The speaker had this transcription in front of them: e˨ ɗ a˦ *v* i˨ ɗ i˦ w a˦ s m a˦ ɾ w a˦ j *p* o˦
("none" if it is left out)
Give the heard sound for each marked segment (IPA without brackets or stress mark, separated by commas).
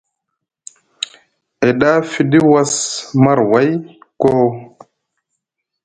f, k